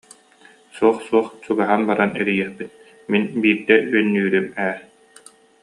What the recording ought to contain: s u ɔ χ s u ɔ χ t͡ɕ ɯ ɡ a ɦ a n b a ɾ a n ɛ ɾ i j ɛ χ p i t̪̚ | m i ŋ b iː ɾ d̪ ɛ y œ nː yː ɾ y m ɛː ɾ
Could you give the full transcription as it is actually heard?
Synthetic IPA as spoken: s u ɔ χ s u ɔ χ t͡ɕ u ɡ a ɦ a n b a ɾ a n ɛ ɾ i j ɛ χ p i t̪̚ | m i n b iː ɾ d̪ ɛ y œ nː yː ɾ y m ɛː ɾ